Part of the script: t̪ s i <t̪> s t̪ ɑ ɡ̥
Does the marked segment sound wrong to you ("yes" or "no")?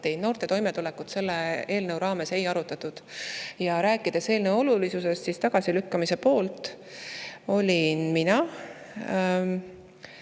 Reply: yes